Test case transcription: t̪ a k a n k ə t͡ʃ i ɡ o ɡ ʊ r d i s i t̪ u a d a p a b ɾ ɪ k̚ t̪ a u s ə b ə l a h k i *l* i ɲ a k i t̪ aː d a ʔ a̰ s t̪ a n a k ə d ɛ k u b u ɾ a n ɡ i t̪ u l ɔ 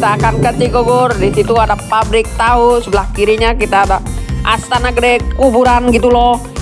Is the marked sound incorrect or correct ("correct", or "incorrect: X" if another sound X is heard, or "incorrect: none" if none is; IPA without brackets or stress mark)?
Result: incorrect: ɾ